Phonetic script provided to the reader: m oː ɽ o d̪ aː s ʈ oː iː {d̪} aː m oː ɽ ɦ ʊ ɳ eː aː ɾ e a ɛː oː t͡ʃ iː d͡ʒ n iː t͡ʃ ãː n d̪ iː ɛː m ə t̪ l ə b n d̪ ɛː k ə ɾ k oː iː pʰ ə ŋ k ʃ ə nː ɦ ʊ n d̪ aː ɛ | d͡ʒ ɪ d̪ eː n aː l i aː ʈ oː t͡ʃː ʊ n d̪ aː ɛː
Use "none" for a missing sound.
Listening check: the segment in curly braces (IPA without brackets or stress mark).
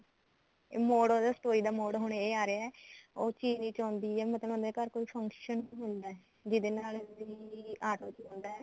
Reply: d̪